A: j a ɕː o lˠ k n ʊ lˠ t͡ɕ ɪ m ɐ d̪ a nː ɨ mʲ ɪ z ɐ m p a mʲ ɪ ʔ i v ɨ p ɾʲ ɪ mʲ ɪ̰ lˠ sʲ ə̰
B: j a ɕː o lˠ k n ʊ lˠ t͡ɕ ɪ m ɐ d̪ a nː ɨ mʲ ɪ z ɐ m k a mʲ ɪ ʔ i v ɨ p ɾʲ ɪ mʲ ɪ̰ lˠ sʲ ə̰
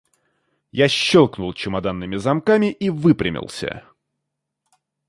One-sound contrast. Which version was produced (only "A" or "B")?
B